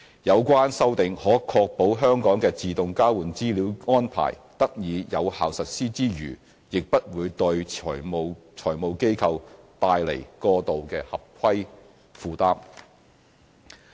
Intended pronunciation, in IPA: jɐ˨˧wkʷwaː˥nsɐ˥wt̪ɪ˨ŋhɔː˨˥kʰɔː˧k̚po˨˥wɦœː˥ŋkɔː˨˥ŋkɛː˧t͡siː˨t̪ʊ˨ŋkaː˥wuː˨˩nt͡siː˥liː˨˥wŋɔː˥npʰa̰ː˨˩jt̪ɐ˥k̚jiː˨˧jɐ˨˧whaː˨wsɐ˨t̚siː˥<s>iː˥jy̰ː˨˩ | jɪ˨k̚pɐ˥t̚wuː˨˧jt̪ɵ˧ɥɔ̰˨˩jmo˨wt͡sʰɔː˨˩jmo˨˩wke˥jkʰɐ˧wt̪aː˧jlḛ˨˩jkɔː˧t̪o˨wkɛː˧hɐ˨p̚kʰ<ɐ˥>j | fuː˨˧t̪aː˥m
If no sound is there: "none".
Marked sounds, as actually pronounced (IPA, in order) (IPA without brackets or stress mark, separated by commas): t͡s, ɐ˥